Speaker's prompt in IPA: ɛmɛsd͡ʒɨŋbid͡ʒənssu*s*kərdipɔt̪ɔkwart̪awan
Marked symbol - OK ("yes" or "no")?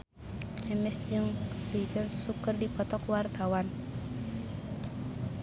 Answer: no